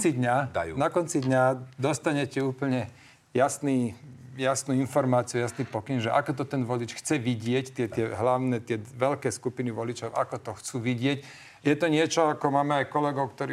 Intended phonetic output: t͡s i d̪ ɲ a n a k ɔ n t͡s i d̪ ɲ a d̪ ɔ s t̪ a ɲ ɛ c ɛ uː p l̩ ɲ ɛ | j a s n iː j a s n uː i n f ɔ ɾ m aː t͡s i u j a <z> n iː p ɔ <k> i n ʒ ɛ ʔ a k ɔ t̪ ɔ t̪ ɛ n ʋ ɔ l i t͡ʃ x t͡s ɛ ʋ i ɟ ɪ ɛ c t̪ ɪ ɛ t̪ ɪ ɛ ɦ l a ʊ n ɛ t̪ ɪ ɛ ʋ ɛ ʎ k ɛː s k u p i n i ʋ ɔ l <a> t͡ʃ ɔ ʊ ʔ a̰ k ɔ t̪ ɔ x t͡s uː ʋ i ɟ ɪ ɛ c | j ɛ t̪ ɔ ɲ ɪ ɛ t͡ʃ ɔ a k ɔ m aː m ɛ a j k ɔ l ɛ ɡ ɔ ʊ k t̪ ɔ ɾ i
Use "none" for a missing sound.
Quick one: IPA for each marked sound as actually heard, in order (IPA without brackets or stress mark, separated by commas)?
s, k, i